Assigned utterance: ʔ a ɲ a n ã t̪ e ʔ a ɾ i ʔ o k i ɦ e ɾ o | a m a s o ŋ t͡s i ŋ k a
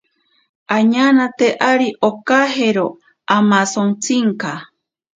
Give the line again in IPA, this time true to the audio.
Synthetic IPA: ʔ a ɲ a n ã t̪ e ʔ a ɾ i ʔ o k a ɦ e ɾ o | a m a s o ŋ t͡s i ŋ k a